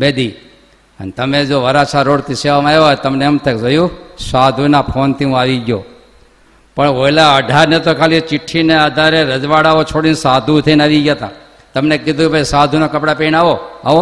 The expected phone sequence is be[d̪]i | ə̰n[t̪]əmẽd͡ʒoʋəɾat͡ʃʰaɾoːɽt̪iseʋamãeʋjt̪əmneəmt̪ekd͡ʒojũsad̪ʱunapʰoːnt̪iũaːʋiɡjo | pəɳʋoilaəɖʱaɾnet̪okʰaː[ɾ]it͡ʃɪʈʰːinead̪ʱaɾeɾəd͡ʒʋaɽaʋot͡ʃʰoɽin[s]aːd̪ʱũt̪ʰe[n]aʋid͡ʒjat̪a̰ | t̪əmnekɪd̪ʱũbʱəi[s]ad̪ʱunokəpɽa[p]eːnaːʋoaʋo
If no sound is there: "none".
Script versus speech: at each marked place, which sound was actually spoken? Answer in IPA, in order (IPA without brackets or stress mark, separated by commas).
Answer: d̪, t̪, l, s, n, s, p